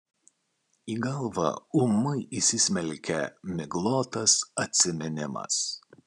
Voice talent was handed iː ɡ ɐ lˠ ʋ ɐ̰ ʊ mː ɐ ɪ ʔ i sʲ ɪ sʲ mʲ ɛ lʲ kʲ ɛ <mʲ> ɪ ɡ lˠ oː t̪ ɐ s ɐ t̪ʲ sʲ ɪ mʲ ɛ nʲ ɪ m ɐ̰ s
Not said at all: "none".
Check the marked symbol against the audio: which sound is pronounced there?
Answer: mʲ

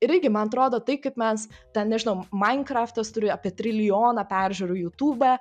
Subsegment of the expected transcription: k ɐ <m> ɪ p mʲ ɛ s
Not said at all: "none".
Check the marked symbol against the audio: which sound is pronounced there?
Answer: none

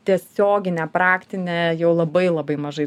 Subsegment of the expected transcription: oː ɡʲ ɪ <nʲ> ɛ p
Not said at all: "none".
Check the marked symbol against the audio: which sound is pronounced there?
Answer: nʲ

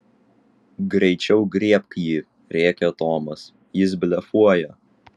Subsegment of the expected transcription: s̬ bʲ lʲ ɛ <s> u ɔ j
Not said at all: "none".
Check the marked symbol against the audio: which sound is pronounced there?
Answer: f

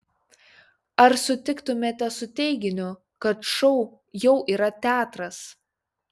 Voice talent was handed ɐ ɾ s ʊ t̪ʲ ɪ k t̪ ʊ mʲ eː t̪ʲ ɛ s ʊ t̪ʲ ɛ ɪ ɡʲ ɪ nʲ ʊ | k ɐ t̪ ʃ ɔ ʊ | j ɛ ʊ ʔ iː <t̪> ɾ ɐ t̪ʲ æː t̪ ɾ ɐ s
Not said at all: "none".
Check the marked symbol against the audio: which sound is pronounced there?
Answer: none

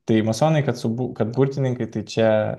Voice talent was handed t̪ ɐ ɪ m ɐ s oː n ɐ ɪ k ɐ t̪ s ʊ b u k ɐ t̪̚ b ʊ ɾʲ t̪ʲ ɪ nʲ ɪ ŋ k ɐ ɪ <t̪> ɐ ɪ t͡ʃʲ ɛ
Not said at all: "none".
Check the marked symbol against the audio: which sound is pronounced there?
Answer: t̪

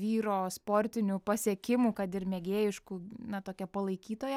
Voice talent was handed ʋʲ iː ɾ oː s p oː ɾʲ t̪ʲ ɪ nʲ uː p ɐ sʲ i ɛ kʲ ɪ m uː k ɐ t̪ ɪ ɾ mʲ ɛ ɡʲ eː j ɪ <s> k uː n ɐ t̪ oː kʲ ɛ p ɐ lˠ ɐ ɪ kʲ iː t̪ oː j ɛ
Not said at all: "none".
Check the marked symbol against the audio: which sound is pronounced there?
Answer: ʃ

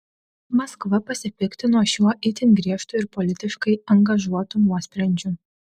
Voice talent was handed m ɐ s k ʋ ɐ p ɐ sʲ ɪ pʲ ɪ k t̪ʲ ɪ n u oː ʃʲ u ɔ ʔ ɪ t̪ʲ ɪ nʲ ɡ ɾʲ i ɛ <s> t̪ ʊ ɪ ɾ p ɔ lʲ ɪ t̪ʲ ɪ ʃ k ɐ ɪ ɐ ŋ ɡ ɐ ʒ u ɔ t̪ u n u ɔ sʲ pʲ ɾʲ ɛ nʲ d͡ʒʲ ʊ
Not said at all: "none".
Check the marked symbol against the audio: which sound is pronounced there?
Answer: ʃ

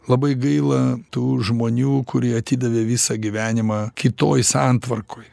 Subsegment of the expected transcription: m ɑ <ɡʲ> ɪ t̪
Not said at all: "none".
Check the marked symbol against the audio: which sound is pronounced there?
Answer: kʲ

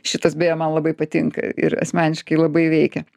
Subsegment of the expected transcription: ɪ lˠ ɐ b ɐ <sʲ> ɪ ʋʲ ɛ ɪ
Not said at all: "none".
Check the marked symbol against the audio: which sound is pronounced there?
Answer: none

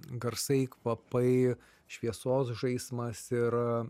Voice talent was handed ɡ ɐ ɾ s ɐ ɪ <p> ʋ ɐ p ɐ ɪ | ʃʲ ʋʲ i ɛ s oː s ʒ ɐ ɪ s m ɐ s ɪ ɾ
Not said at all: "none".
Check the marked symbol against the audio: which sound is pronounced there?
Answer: k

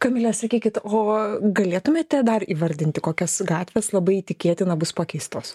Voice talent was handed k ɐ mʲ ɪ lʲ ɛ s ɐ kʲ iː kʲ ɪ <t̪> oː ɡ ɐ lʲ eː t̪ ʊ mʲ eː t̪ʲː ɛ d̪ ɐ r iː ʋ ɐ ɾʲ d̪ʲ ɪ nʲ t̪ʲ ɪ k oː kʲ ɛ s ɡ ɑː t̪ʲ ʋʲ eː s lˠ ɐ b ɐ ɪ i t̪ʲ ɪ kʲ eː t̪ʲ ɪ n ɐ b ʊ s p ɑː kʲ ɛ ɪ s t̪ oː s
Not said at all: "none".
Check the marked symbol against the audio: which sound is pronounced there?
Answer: t̪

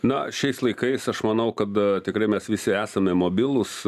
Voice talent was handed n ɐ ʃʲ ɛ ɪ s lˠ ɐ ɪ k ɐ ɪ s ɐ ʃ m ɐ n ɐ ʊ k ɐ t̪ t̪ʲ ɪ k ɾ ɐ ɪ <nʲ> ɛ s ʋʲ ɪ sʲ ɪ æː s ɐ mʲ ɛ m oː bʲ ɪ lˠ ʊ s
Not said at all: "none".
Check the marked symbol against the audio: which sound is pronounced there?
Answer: mʲ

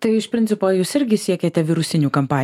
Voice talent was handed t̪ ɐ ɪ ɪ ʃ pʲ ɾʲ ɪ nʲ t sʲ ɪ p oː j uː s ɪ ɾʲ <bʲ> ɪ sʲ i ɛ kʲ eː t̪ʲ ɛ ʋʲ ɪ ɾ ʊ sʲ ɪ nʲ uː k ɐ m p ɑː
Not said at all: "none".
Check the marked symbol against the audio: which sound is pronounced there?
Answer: ɡʲ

